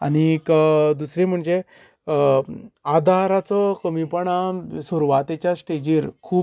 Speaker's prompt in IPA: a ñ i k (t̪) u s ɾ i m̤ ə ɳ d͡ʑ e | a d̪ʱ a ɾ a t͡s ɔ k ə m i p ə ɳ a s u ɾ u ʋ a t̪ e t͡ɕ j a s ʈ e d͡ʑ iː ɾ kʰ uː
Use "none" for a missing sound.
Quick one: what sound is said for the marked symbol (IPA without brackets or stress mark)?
d̪